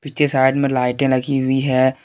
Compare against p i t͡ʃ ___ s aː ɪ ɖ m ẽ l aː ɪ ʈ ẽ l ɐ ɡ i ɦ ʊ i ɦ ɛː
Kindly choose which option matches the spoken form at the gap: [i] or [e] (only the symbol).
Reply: e